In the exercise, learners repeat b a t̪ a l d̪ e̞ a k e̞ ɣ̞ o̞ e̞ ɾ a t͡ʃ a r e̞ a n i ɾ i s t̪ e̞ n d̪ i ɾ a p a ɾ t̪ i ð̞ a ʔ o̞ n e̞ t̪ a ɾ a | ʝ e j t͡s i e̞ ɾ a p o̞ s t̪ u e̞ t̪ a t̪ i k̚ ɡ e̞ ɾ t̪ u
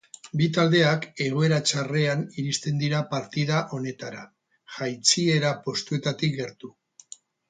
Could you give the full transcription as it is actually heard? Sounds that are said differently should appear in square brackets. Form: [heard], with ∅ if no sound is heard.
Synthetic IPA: b [i] t̪ a l d̪ e̞ a k e̞ ɣ̞ o̞ e̞ ɾ a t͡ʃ a r e̞ a n i ɾ i s t̪ e̞ n d̪ i ɾ a p a ɾ t̪ i ð̞ a ʔ o̞ n e̞ t̪ a ɾ a | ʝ [a] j t͡s i e̞ ɾ a p o̞ s t̪ u e̞ t̪ a t̪ i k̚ ɡ e̞ ɾ t̪ u